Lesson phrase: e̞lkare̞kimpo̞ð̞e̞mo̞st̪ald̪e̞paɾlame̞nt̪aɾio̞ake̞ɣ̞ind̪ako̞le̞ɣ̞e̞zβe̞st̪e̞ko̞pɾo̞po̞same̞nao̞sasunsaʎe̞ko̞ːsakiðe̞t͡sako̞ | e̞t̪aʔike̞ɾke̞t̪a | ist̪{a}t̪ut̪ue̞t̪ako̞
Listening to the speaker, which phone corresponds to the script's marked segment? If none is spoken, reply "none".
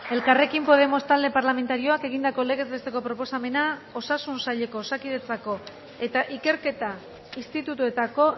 i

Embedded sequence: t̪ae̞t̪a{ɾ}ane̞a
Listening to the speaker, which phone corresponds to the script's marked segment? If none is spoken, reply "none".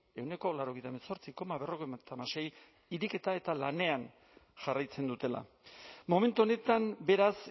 l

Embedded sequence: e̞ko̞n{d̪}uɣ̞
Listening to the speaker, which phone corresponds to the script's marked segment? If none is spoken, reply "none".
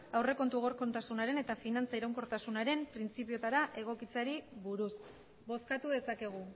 t̪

